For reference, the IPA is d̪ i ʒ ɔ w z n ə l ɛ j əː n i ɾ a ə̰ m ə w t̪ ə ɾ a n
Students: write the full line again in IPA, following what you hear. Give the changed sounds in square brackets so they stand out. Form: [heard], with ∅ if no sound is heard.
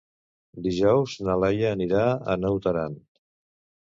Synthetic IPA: d̪ i ʒ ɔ w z n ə l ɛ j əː n i ɾ a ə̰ [n] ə w t̪ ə ɾ a n